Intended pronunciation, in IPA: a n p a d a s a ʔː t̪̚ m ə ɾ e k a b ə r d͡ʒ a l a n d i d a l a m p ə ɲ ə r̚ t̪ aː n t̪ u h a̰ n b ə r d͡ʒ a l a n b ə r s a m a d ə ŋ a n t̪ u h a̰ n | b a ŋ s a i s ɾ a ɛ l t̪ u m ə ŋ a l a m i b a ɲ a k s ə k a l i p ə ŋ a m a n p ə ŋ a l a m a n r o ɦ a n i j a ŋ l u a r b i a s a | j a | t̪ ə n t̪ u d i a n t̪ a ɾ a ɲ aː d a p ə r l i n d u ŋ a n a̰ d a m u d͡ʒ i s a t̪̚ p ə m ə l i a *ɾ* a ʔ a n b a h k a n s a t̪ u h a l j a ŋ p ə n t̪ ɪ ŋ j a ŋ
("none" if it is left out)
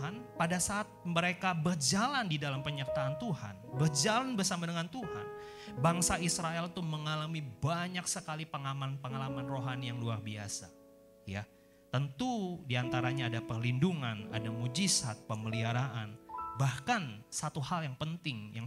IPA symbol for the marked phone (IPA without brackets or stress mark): ɾ